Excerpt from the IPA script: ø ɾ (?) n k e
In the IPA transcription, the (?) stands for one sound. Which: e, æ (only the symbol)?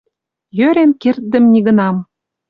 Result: e